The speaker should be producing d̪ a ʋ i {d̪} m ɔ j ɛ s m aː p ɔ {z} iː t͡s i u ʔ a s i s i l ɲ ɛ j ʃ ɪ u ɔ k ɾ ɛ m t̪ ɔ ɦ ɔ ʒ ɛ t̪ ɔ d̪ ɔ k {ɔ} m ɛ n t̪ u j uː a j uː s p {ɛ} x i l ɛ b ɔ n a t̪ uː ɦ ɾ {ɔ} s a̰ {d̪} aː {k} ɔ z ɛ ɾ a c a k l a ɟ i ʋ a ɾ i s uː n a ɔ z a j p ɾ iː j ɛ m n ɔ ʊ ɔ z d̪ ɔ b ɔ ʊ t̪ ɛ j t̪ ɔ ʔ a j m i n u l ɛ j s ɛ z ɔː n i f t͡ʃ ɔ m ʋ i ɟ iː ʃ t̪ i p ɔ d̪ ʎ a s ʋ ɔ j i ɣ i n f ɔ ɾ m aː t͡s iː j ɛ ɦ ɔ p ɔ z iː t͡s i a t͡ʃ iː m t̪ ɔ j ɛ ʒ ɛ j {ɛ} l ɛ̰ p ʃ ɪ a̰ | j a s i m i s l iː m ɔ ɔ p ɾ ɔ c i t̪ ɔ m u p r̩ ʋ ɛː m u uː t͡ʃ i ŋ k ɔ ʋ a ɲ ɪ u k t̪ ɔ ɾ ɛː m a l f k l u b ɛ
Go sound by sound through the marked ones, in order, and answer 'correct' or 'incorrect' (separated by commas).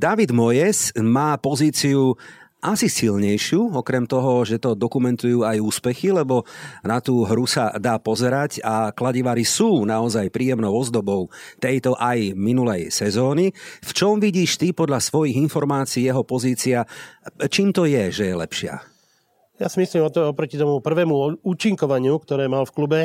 correct, correct, incorrect, correct, incorrect, correct, incorrect, correct